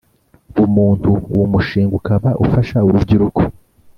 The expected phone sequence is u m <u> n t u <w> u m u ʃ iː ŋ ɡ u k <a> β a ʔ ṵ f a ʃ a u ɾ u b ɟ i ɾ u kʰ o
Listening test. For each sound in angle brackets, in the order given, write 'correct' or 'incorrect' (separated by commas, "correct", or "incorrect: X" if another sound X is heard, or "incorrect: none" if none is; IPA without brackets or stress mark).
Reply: incorrect: uː, correct, correct